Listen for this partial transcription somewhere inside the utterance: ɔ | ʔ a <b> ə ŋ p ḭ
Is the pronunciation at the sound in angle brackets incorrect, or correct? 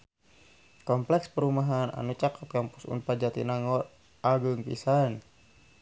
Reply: incorrect